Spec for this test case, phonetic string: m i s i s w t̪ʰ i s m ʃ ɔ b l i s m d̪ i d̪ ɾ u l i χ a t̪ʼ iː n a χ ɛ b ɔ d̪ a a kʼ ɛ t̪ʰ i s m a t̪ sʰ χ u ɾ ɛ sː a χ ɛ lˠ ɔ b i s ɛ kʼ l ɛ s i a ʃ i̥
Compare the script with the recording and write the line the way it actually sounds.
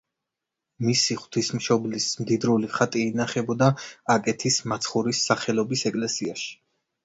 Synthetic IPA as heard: m i s i χ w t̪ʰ i s m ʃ ɔ b l i s m d̪ i d̪ ɾ u l i χ a t̪ʼ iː n a χ ɛ b ɔ d̪ a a kʼ ɛ t̪ʰ i s m a t̪ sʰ χ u ɾ i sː a χ ɛ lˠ ɔ b i s ɛ kʼ l ɛ s i a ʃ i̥